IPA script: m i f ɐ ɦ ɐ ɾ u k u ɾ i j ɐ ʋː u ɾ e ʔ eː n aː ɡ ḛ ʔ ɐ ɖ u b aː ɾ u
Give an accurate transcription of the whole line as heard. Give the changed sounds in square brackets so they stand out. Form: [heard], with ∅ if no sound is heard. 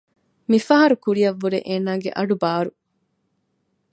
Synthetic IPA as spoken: m i f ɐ ɦ ɐ ɾ u k u ɾ i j ɐ ʋː u ɾ e ʔ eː n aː ɡ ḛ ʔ ɐ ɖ u b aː ɾ u

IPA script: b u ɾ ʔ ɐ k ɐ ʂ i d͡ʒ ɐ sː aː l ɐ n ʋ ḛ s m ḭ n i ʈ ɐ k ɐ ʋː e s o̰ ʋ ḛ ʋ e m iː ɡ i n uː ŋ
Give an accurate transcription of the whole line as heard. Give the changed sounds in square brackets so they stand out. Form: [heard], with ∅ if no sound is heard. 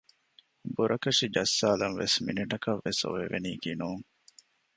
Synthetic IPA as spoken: b u ɾ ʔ ɐ k ɐ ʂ i d͡ʒ ɐ sː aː l ɐ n ʋ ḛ s m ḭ n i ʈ ɐ k ɐ ʋː e s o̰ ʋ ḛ ʋ e [n] iː ɡ i n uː ŋ

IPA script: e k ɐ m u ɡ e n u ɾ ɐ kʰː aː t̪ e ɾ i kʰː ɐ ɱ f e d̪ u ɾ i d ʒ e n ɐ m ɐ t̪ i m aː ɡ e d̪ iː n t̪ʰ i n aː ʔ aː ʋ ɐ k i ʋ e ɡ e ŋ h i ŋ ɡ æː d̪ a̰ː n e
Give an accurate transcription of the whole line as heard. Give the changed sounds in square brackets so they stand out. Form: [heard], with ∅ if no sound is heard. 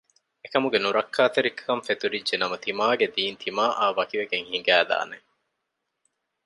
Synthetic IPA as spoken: e k ɐ m u ɡ e n u ɾ ɐ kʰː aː t̪ e ɾ i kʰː ɐ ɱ f e [t̪] u ɾ i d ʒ e n ɐ m ɐ t̪ i m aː ɡ e d̪ iː n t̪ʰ i [m] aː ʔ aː ʋ ɐ k i ʋ e ɡ e ŋ h i ŋ ɡ æː d̪ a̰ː n e

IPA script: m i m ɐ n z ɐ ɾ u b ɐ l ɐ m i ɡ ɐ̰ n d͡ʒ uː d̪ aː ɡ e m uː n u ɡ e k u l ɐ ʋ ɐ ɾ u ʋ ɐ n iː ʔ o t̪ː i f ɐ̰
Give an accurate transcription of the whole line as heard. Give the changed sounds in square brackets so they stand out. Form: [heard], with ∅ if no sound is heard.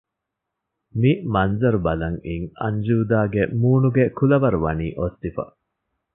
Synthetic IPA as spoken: m i m ɐ n z ɐ ɾ u b ɐ l ɐ [ŋ] i [ŋ] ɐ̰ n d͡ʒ uː d̪ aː ɡ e m uː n u ɡ e k u l ɐ ʋ ɐ ɾ u ʋ ɐ n iː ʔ o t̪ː i f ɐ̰

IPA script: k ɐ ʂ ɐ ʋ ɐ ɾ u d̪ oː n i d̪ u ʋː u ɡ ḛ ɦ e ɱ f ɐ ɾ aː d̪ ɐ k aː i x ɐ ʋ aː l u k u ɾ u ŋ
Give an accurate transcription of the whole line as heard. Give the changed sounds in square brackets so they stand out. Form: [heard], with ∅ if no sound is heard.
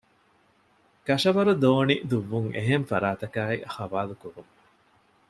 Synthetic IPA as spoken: k ɐ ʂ ɐ ʋ ɐ ɾ u d̪ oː n i d̪ u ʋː u [ŋ] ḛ ɦ e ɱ f ɐ ɾ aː [t̪] ɐ k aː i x ɐ ʋ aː l u k u ɾ u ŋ

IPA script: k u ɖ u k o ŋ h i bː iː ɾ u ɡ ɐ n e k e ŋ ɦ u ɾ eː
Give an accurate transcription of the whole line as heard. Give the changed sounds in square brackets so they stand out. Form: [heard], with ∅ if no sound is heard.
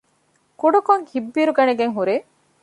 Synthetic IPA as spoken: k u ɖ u k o ŋ h i bː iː ɾ u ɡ ɐ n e [ɡ] e ŋ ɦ u ɾ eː

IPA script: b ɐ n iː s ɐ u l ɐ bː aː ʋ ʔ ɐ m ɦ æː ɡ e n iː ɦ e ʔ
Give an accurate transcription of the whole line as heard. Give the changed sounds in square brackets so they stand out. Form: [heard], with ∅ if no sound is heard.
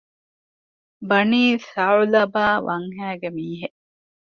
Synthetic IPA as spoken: b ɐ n iː s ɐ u l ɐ [b] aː ʋ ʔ ɐ [ŋ] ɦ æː ɡ e [m] iː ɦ e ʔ

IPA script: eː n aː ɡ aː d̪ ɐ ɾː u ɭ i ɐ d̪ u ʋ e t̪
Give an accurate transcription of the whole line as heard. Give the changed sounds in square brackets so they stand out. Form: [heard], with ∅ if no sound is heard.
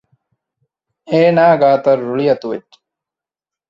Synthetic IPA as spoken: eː n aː ɡ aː [t̪] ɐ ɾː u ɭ i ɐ [t̪] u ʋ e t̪

